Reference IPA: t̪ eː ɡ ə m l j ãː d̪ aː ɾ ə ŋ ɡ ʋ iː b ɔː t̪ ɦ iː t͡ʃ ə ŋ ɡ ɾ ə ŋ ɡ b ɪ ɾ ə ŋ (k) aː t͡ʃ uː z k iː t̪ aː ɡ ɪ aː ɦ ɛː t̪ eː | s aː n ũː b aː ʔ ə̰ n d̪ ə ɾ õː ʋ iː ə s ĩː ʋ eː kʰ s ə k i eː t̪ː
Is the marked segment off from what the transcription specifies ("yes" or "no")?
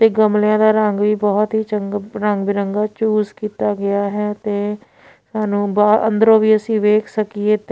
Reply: yes